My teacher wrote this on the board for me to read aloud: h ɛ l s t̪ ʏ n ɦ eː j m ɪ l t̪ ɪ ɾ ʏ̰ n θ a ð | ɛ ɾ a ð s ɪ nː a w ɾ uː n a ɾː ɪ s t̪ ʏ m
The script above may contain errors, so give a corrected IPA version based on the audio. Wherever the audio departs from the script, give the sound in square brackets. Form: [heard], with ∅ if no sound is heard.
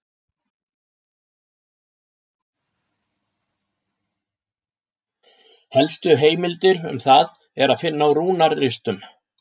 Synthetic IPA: h ɛ l s t̪ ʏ [∅] ɦ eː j m ɪ l t̪ ɪ ɾ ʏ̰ [m] θ a ð | ɛ ɾ a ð [f] ɪ nː a w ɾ uː n a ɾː ɪ s t̪ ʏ m